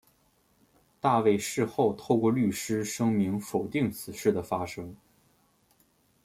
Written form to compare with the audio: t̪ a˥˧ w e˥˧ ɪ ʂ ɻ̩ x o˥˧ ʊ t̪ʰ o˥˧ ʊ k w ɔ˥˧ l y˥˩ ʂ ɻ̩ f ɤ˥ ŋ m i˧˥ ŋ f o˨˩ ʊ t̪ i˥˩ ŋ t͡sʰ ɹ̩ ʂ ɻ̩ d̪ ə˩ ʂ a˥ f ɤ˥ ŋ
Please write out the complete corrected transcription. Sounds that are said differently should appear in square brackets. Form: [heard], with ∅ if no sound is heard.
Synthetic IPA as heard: t̪ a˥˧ w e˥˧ ɪ ʂ ɻ̩ x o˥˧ ʊ t̪ʰ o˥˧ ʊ k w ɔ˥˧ l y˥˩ ʂ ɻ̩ [ʂ] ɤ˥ ŋ m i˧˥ ŋ f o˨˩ ʊ t̪ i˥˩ ŋ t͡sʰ ɹ̩ ʂ ɻ̩ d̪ ə˩ [f] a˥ [ʂ] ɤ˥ ŋ